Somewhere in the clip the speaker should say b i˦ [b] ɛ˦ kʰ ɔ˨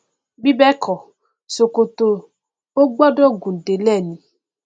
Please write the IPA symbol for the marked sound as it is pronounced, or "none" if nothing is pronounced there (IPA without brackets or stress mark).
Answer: b